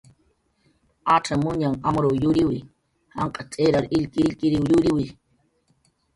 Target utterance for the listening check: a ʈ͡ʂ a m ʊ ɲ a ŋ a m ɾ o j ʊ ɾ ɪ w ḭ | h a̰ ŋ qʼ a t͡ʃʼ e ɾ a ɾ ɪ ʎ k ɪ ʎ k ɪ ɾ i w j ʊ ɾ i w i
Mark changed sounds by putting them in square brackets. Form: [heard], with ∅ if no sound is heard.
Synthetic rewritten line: a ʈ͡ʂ a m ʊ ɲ a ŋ a m ɾ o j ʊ ɾ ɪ w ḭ | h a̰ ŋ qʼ a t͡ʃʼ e ɾ a ɾ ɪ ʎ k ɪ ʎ k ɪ ɾ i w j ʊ ɾ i w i